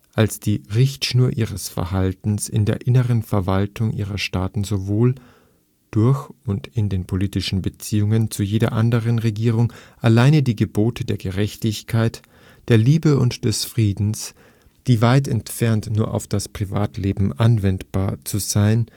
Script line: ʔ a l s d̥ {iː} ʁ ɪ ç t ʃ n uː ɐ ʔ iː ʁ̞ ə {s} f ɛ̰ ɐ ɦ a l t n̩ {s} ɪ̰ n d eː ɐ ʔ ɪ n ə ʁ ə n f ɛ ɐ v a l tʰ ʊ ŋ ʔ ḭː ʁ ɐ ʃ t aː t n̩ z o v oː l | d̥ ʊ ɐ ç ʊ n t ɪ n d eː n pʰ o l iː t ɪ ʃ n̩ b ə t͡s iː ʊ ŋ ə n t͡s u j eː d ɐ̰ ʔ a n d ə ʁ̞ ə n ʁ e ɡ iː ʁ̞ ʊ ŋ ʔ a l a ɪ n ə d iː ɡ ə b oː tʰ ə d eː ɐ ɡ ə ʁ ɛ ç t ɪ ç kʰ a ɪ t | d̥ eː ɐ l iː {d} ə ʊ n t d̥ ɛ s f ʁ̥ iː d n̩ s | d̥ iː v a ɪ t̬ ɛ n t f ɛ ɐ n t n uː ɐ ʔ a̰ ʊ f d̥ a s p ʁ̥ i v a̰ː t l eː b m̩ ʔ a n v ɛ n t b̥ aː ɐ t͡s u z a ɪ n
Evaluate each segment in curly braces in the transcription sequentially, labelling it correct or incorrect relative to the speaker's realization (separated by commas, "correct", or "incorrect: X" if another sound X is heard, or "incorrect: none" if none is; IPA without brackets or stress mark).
correct, correct, correct, incorrect: b